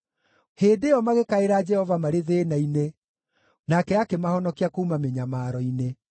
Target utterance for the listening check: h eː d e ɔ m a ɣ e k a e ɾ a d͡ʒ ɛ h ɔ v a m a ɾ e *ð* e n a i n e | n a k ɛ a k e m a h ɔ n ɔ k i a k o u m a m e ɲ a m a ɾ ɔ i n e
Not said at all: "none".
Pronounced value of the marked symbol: ð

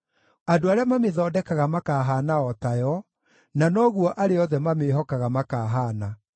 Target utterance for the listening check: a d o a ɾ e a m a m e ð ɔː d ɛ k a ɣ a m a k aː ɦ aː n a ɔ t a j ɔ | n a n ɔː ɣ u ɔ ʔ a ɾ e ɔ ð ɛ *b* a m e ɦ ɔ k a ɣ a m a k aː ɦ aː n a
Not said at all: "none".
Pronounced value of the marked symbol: m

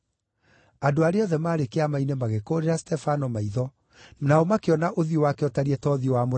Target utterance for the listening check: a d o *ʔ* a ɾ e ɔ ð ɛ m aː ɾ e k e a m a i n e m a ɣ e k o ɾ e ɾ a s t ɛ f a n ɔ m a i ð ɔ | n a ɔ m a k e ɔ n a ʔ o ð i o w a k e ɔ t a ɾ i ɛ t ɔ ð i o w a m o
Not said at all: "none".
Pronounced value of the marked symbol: none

